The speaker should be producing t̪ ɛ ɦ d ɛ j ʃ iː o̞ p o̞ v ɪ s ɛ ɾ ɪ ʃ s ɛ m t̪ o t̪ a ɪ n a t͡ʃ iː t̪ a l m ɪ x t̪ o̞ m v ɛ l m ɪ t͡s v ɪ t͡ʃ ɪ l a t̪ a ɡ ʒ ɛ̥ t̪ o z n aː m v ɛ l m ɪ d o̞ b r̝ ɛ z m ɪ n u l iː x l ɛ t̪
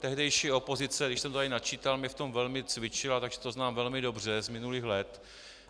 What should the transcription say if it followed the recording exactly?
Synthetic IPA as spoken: t̪ ɛ ɦ d ɛ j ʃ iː o̞ p o̞ z ɪ t͡s ɛ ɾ ɪ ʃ s ɛ m t̪ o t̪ a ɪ n a t͡ʃ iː t̪ a l m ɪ f t̪ o̞ m v ɛ l m ɪ t͡s v ɪ t͡ʃ ɪ l a t̪ a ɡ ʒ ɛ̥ t̪ o z n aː m v ɛ l m ɪ d o̞ b r̝ ɛ z m ɪ n u l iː x l ɛ t̪